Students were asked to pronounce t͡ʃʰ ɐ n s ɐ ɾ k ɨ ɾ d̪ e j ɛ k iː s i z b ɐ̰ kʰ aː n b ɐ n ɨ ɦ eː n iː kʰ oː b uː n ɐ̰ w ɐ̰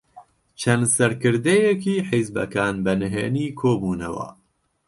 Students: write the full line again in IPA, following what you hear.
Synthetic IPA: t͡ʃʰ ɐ n s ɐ ɾ k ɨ ɾ d̪ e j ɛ k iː ħ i z b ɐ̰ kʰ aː n b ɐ n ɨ ɦ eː n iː kʰ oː b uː n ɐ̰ w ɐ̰